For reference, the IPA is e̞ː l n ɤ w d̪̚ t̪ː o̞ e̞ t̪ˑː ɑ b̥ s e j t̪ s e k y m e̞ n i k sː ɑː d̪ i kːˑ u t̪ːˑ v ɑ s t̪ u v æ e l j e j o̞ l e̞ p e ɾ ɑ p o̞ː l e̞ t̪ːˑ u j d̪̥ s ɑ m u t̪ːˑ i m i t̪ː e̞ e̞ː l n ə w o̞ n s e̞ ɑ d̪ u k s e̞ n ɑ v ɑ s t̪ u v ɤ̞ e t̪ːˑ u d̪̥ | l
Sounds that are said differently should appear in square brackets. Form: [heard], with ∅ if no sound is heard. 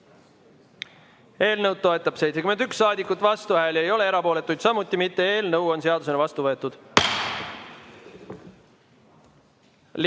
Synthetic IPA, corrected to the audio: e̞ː l n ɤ w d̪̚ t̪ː o̞ e̞ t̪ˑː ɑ b̥ s e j t̪ s e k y m e̞ n [y] k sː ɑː d̪ i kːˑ u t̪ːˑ v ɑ s t̪ u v æ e l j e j o̞ l e̞ [∅] e ɾ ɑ p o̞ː l e̞ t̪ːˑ u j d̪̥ s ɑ m u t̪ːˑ i m i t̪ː e̞ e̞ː l n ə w o̞ n s e̞ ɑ d̪ u [∅] s e̞ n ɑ v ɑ s t̪ u v ɤ̞ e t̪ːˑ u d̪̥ | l